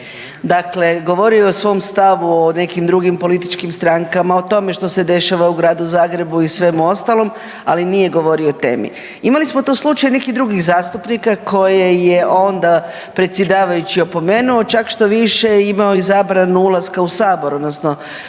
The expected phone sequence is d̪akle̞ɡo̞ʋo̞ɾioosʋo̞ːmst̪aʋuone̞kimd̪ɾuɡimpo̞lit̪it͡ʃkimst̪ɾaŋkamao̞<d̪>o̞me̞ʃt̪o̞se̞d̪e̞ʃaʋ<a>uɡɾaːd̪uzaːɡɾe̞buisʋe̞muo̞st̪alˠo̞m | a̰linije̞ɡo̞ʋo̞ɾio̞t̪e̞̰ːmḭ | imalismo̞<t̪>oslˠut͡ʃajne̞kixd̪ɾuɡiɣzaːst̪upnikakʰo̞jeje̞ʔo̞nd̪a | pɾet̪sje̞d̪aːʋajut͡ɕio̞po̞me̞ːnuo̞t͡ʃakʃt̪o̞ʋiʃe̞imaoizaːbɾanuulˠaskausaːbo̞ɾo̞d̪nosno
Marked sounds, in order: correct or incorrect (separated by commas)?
incorrect, correct, correct